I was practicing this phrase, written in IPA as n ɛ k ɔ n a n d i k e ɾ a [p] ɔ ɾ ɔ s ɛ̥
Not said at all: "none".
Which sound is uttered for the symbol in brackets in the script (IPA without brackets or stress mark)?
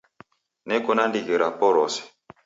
p